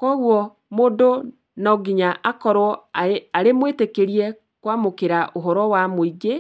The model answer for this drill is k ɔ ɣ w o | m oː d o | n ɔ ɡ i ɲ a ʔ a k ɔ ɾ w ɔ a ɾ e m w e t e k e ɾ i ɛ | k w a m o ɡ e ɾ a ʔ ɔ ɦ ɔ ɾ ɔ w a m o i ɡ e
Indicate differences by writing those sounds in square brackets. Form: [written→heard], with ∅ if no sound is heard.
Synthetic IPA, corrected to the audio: k ɔ ɣ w [o→ɔ] | m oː d o | n ɔ ɡ i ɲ a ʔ a k ɔ ɾ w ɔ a ɾ e m w e t e k e ɾ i ɛ | k w a m o [ɡ→k] e ɾ a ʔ [ɔ→o] ɦ ɔ ɾ ɔ w a m o i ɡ e